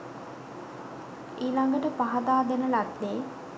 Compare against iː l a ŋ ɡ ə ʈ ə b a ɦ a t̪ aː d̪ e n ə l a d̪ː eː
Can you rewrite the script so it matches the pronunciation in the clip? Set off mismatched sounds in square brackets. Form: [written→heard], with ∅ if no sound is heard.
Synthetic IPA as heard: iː l a ŋ ɡ ə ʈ ə [b→p] a ɦ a [t̪→d̪] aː d̪ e n ə l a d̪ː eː

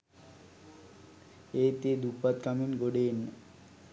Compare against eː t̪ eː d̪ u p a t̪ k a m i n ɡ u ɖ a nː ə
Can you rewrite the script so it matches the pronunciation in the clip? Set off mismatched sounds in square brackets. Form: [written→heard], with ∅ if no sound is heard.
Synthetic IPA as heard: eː t̪ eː d̪ u p a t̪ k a m i n ɡ [u→o] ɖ [a→e] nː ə

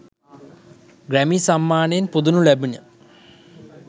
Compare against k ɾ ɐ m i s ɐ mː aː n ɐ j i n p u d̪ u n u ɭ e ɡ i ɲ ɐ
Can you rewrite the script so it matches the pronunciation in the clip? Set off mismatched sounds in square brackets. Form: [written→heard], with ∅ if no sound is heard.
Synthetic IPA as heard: [k→ɡ] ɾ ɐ m i s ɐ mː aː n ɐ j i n p u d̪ u n u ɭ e [ɡ→b] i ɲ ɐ

